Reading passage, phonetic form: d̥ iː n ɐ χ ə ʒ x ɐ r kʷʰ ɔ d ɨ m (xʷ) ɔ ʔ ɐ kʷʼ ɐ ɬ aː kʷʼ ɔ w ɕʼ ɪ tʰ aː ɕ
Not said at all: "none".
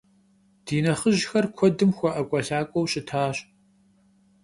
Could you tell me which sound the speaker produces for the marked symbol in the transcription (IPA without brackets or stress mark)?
xʷ